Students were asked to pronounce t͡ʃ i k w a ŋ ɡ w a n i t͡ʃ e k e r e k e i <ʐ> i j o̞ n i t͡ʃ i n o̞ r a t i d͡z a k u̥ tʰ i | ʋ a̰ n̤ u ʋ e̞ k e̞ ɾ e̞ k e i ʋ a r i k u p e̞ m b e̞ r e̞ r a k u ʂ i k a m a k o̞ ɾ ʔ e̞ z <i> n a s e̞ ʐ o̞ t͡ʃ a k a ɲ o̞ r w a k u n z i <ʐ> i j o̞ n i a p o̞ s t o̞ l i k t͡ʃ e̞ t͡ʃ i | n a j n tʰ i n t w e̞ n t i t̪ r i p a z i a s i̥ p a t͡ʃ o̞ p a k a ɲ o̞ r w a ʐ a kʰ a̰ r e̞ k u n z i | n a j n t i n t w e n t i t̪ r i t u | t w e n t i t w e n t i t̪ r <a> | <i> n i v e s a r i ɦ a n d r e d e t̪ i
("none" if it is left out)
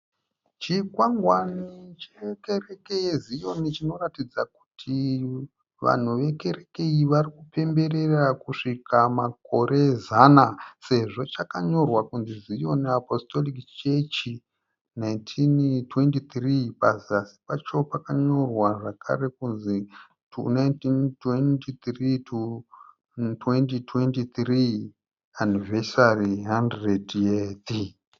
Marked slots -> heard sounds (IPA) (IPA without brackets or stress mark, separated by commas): z, a, z, i, a